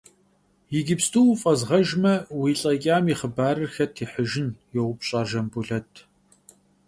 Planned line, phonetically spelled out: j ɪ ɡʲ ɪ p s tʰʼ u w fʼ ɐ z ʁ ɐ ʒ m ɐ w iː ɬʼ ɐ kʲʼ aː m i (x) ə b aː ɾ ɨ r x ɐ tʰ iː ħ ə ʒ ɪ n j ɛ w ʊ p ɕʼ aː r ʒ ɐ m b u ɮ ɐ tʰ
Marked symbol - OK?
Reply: no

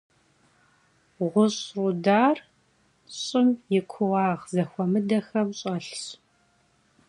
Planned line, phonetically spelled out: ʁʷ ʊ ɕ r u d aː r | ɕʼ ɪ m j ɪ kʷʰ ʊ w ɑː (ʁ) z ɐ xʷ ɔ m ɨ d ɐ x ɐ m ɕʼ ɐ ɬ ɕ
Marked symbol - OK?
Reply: yes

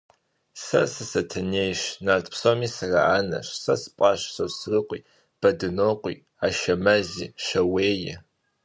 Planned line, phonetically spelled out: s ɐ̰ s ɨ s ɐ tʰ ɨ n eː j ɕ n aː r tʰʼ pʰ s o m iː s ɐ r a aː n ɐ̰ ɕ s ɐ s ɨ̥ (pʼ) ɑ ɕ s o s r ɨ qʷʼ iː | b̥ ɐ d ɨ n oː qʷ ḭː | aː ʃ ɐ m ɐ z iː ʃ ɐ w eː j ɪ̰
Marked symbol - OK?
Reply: yes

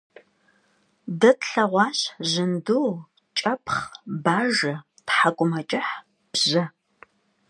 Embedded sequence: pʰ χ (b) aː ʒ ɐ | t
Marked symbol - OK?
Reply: yes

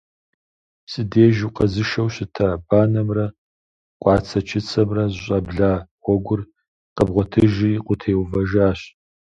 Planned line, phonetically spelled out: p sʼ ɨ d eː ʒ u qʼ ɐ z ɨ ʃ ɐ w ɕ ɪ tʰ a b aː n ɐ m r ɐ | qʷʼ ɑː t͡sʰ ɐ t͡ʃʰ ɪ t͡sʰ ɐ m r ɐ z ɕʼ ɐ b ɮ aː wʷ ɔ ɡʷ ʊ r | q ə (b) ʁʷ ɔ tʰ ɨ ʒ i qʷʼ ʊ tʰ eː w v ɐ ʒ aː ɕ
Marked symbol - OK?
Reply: yes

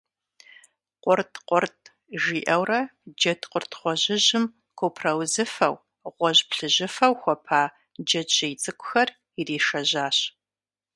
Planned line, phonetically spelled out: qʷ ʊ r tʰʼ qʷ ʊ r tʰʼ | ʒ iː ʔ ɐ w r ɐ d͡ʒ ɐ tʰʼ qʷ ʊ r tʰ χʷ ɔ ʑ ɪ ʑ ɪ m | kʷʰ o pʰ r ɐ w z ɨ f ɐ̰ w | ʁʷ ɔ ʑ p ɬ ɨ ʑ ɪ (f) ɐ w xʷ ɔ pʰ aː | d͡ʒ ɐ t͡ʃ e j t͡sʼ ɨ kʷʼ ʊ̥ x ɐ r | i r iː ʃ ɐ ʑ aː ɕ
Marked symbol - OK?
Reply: yes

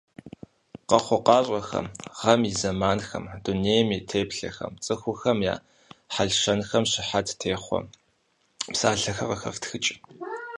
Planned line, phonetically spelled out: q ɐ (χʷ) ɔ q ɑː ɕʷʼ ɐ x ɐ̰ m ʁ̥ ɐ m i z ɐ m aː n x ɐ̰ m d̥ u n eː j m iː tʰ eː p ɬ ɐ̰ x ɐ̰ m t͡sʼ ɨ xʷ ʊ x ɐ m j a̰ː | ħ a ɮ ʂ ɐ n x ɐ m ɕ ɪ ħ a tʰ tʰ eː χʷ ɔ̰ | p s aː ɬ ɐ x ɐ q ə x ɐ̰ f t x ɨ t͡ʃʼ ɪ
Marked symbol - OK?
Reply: yes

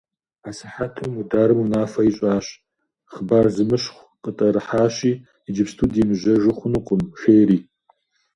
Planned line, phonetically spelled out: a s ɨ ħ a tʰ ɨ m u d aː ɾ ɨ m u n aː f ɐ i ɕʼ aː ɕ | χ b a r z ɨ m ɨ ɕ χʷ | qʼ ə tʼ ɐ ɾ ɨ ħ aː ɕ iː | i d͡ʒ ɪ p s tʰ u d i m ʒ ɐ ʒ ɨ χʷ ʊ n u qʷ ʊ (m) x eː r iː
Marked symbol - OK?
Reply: yes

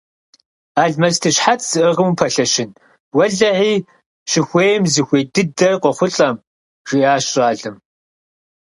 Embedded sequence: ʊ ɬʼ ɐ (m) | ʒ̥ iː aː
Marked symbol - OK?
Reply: yes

